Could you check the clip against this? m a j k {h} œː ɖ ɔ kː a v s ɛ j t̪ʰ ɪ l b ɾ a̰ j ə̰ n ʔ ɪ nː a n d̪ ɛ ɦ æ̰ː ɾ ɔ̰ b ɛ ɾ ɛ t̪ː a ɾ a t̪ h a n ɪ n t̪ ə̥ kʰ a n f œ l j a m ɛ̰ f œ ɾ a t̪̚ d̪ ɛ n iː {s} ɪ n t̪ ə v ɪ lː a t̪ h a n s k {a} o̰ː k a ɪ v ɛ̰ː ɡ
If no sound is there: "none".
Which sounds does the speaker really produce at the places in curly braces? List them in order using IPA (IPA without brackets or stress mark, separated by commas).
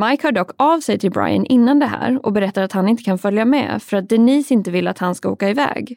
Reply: h, s, a